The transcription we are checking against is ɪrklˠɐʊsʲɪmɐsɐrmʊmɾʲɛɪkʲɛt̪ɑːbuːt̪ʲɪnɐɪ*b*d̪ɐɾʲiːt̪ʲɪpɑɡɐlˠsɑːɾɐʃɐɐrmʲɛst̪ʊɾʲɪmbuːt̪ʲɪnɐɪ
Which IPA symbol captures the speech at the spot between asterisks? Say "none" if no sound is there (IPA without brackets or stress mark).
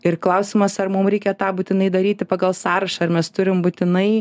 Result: none